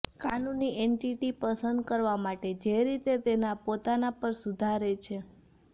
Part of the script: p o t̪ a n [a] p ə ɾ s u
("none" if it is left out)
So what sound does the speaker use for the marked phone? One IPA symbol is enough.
a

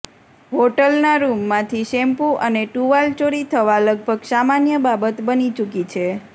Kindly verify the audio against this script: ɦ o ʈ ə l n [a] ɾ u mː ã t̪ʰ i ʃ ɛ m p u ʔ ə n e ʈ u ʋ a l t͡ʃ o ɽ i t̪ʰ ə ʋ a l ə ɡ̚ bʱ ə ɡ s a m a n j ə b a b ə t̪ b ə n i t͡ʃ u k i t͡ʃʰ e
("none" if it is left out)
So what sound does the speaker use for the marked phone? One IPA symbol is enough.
a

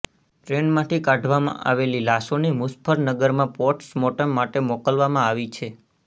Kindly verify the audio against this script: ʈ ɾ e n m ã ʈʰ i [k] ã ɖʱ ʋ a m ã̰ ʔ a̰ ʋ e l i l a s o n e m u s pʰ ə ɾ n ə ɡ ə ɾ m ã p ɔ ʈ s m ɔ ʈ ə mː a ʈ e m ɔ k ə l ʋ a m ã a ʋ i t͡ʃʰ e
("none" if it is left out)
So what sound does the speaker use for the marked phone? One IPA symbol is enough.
k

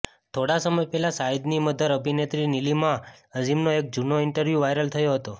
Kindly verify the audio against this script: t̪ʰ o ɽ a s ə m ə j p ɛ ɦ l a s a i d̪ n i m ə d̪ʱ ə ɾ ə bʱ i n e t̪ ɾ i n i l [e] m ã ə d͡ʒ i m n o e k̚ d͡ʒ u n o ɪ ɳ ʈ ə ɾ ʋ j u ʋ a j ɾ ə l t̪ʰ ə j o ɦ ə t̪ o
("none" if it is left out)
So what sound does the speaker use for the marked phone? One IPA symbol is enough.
i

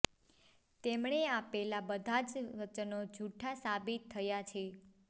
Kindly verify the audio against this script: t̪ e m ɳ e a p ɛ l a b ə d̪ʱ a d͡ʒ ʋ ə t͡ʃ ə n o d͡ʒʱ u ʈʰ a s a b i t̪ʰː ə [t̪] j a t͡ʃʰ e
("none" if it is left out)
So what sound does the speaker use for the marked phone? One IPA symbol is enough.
none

